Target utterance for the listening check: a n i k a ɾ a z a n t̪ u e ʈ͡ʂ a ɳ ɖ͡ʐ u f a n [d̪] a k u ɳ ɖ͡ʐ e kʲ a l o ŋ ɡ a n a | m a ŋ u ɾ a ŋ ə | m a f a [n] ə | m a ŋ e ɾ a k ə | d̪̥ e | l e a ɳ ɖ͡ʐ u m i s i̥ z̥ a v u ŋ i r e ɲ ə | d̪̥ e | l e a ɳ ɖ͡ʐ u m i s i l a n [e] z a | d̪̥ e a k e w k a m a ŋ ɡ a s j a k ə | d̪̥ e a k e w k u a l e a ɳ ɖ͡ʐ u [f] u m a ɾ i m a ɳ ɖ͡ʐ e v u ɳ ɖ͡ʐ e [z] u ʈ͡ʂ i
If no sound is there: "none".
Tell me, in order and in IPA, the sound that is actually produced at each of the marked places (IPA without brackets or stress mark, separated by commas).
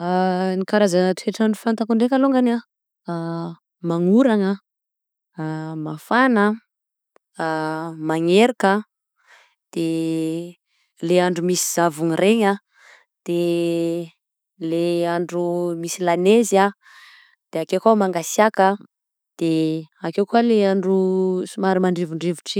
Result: t̪, n, e, s, v